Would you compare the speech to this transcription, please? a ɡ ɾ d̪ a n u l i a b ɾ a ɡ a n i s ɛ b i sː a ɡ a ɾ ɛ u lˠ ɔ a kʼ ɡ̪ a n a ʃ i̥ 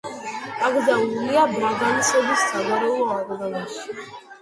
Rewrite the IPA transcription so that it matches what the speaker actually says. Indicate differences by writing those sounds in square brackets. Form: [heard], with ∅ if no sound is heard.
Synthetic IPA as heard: a ɡ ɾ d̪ a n u l i a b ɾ a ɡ a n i s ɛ b i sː a ɡ a ɾ ɛ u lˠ ɔ a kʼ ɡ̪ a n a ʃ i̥

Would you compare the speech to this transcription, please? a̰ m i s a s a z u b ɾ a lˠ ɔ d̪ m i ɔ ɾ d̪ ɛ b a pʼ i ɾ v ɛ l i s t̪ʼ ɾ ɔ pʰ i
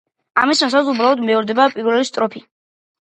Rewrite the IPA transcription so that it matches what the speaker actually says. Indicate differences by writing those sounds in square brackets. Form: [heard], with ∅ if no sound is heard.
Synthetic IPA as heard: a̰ m i s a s a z u b ɾ a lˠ ɔ d̪ m [ɛ] ɔ ɾ d̪ ɛ b a pʼ i ɾ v ɛ l i s t̪ʼ ɾ ɔ pʰ i

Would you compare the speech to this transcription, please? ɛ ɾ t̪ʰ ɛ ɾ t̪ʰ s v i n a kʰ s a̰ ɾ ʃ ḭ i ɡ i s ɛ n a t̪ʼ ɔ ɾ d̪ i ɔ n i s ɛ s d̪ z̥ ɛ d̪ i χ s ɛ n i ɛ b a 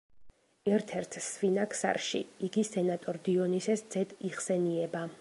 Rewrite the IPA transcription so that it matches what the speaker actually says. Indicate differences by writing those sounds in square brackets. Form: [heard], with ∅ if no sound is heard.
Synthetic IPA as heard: ɛ ɾ t̪ʰ ɛ ɾ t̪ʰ s v i n a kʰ s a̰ ɾ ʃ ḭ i ɡ i s ɛ n a t̪ʼ ɔ ɾ d̪ i ɔ n i s ɛ s d̪ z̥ ɛ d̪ i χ s ɛ n i ɛ b a

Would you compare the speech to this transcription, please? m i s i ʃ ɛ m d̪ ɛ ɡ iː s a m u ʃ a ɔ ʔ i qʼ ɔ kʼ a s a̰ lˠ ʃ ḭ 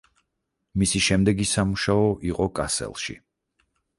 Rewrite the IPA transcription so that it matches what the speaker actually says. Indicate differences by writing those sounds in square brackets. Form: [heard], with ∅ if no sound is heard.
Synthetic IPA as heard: m i s i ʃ ɛ m d̪ ɛ ɡ [i] s a m u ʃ a ɔ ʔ i qʼ ɔ kʼ a s [ɛ̰] lˠ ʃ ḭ

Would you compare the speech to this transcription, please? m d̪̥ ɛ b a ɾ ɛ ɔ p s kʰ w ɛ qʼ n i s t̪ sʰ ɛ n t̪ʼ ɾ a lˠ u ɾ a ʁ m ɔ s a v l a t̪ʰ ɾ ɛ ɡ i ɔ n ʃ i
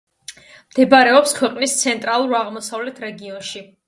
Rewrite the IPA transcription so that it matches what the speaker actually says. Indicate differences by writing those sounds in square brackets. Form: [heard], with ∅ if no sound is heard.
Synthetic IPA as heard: m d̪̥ ɛ b a ɾ ɛ ɔ p s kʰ w ɛ qʼ n i s t̪ sʰ ɛ n t̪ʼ ɾ a lˠ u ɾ a ʁ m ɔ s a v l [ɛ] t̪ʰ ɾ ɛ ɡ i ɔ n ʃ i

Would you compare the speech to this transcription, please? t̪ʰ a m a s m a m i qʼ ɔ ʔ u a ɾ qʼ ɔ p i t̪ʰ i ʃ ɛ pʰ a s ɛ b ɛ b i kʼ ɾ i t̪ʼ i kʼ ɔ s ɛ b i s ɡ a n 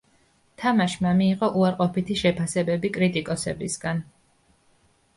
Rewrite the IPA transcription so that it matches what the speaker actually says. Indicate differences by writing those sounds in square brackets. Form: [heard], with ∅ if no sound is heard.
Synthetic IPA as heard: t̪ʰ a m a [ʃ] m a m [iː] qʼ ɔ ʔ u a ɾ qʼ ɔ p i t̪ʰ i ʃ ɛ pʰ a s ɛ b ɛ b i kʼ ɾ i t̪ʼ i kʼ ɔ s ɛ b i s ɡ a n

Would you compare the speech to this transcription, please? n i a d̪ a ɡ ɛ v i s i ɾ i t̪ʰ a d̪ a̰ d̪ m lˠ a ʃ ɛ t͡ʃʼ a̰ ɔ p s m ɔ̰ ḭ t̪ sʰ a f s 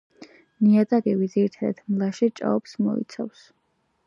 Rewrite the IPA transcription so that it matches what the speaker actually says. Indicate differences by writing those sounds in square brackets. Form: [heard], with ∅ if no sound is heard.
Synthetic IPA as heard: n i a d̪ a ɡ ɛ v i [z] i ɾ i t̪ʰ a d̪ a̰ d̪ m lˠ a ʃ [i] t͡ʃʼ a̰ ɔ p s m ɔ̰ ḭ t̪ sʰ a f s

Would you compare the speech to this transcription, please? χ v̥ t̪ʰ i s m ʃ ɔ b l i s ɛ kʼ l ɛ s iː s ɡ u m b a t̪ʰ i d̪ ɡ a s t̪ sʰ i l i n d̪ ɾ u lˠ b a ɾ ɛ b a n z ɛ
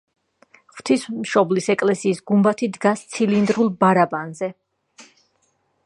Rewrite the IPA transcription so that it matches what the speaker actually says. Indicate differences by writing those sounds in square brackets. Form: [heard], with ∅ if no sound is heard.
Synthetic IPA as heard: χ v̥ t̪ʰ i s m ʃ ɔ b l i s ɛ kʼ l ɛ s iː s ɡ u m b a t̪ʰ i d̪ ɡ a s t̪ sʰ i l i n d̪ ɾ u lˠ b a ɾ [a] b a n z ɛ

